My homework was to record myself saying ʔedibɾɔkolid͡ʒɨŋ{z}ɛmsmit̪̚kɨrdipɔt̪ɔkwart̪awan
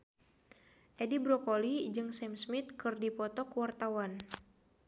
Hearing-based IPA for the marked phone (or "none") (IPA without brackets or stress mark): s